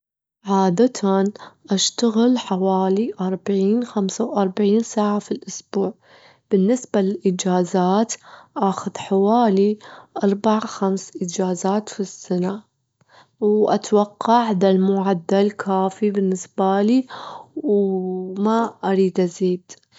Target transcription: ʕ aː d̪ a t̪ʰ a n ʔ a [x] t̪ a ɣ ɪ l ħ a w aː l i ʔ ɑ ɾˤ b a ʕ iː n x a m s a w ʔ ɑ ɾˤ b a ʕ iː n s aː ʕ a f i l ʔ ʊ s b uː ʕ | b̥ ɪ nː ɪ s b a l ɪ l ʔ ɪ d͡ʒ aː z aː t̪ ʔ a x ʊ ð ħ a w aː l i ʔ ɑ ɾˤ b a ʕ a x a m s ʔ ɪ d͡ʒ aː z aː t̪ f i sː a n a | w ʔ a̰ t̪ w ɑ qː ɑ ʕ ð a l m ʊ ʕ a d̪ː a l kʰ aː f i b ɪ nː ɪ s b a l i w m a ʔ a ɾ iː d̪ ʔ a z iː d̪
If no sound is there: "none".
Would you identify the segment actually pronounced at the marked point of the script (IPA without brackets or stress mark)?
ʃ